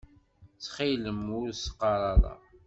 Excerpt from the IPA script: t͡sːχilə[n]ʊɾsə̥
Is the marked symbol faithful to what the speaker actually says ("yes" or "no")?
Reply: no